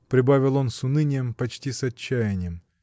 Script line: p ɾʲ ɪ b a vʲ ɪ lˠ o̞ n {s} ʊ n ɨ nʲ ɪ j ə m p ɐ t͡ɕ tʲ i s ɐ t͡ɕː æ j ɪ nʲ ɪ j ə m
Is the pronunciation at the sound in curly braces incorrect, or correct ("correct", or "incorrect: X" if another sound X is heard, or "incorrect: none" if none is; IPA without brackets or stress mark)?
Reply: correct